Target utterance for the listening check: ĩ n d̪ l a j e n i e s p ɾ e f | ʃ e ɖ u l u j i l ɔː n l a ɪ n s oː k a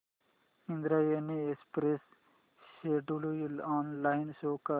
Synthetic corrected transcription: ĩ n d̪ ɾ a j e n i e s p ɾ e s | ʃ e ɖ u l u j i l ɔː n l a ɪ n s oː k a